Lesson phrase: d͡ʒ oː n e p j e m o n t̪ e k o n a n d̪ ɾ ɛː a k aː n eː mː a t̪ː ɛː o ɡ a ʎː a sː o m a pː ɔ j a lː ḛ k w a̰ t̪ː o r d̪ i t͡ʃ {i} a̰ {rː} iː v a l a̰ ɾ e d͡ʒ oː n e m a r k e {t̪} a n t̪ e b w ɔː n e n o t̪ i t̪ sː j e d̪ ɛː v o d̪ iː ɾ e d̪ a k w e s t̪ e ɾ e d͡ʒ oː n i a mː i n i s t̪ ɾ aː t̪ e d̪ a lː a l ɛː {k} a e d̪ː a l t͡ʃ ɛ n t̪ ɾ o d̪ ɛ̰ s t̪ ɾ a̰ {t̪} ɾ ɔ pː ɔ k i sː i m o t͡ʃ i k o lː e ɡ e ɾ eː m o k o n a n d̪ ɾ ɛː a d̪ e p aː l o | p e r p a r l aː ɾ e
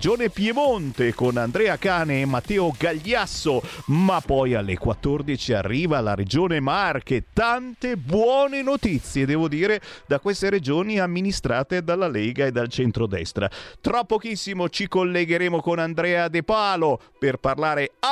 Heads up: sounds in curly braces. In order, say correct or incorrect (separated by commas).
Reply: correct, correct, correct, incorrect, correct